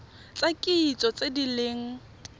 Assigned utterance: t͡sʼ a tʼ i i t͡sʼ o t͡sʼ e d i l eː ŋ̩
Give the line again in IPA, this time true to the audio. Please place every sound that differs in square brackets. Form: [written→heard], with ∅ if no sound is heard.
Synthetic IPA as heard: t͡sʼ a [tʼ→kʼ] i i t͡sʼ [o→ɔ] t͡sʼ e d i l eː ŋ̩